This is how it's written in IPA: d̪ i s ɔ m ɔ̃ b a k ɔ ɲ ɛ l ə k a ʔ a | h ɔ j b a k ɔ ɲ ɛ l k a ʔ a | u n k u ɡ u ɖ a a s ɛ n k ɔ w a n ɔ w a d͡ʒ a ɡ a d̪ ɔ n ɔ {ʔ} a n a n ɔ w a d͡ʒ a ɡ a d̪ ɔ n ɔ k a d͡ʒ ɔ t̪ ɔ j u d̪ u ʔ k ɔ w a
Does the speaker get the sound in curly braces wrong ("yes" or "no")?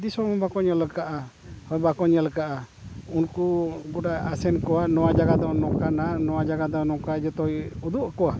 yes